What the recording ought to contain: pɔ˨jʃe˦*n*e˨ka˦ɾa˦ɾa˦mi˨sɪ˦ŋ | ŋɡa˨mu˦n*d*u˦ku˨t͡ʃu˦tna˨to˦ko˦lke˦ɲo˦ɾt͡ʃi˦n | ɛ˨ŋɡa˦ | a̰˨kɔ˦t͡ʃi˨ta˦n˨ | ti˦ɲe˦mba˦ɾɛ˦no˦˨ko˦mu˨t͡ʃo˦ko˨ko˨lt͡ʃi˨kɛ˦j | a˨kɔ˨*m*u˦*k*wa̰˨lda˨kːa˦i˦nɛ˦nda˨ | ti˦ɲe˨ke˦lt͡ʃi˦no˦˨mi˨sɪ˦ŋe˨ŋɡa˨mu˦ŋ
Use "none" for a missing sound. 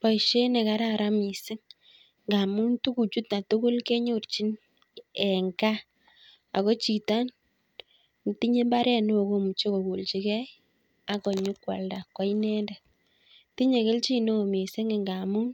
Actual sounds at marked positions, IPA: n, t, ɲ, k

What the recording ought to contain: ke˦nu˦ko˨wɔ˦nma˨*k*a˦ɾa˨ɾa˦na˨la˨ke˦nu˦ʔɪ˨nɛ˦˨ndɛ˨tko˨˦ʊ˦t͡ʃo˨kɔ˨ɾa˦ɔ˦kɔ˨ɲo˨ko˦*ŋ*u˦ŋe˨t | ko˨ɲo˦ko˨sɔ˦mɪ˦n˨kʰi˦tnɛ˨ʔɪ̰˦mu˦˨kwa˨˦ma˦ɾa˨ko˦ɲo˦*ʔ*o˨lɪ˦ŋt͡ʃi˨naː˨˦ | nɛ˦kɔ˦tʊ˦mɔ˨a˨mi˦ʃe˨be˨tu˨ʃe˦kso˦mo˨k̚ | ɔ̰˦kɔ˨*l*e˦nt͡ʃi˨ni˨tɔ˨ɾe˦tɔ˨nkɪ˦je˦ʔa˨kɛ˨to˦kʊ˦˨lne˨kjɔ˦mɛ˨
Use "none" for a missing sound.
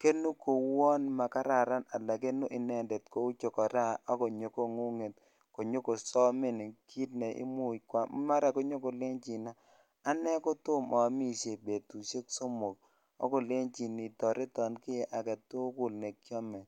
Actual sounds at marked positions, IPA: k, ŋ, k, l

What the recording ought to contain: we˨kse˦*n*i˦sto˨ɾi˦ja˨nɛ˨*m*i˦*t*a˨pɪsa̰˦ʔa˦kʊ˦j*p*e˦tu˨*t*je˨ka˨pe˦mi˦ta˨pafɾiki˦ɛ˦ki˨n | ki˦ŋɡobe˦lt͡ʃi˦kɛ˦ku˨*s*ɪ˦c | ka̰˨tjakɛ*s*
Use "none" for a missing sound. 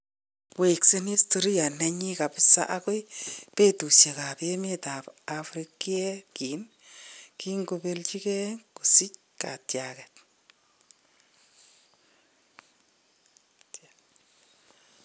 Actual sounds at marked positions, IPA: n, ɲ, k, p, s, s, t

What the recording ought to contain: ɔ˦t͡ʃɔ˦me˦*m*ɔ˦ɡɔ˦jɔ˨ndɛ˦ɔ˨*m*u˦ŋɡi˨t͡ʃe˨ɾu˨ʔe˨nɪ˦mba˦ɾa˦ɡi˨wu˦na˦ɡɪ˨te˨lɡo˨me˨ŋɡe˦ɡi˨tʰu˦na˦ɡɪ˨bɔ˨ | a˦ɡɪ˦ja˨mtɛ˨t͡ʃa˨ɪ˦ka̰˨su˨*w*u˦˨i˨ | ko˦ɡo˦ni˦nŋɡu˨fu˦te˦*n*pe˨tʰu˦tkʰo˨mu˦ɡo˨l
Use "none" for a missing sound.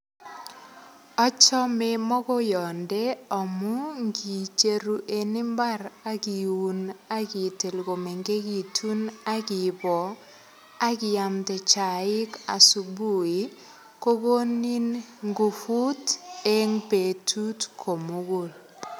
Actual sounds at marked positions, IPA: m, m, b, ŋ

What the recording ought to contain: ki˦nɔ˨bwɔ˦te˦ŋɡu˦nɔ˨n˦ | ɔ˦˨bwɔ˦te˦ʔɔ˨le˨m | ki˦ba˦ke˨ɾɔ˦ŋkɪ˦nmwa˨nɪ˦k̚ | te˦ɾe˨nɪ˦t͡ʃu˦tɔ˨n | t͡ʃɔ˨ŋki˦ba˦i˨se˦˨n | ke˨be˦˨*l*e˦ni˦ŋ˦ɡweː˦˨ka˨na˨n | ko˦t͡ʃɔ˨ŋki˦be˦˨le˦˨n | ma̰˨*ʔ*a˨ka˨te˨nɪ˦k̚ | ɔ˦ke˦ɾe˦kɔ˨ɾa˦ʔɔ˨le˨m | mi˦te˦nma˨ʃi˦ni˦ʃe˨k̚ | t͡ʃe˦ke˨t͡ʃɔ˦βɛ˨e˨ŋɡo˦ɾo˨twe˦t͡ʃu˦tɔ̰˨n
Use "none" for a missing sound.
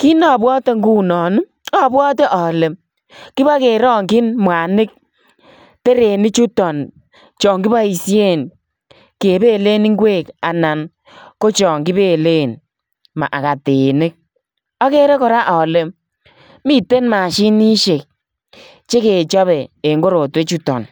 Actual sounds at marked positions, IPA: l, ʔ

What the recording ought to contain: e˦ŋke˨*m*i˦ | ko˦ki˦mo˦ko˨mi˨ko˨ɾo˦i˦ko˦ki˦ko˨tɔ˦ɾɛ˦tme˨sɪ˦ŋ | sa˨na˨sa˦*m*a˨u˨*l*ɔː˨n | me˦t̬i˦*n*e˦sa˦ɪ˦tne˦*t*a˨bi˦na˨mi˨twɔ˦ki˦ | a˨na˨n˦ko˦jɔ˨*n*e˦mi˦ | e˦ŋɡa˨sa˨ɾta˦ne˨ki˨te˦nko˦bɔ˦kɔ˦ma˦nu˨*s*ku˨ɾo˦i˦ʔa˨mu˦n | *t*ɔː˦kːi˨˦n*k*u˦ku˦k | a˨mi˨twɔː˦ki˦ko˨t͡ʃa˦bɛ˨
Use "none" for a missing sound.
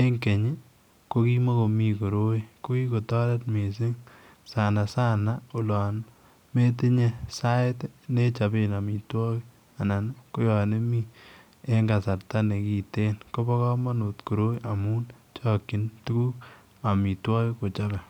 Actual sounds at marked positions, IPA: ɲ, n, l, ɲ, t͡ʃ, n, t, t͡ʃ, t

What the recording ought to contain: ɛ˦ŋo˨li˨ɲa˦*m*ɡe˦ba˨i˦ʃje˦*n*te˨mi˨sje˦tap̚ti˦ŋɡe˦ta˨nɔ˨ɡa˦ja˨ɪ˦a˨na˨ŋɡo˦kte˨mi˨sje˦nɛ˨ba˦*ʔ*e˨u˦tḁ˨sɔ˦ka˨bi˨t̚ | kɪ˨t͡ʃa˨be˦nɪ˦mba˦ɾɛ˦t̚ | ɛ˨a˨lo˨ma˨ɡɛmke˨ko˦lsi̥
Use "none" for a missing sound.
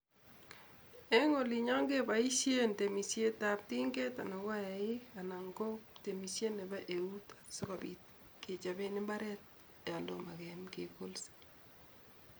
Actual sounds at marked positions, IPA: ŋ, n, ʔ

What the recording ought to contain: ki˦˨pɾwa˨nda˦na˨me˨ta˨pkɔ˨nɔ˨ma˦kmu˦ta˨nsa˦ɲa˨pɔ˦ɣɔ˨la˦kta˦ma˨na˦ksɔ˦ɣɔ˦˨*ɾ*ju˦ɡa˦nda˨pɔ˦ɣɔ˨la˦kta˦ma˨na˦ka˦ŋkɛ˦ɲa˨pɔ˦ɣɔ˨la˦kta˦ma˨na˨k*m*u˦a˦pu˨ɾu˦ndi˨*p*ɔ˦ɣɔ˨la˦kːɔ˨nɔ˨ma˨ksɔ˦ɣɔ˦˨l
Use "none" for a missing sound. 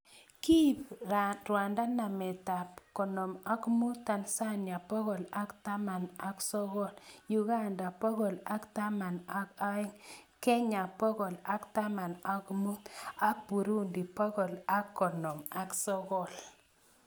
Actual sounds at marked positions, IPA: l, m, p

